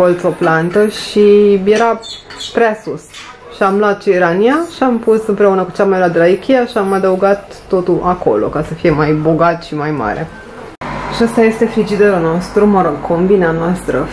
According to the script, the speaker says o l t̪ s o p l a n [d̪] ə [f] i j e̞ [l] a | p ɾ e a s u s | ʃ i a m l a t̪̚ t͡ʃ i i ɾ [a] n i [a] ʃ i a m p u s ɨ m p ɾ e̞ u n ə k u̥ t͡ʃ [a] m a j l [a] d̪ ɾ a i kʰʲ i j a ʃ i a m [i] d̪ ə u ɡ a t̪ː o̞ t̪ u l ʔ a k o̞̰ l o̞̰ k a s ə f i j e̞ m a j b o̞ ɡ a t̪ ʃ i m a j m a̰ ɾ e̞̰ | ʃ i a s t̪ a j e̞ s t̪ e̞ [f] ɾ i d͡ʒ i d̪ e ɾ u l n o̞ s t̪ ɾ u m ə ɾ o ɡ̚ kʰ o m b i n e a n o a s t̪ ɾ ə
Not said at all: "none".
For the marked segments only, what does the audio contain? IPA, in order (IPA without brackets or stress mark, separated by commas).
t̪, ʃ, ɾ, a, a, a, a, a, f